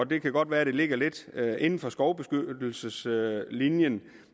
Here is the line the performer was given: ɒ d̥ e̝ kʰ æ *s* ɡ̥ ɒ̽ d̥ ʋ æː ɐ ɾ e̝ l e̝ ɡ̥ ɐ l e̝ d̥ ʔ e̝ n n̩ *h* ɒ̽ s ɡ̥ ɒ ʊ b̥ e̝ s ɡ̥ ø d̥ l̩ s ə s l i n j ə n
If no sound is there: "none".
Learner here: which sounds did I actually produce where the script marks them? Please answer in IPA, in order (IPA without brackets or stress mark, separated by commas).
none, f